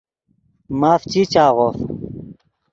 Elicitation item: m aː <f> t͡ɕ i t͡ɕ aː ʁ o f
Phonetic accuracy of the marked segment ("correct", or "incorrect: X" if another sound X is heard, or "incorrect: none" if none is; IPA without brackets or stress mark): correct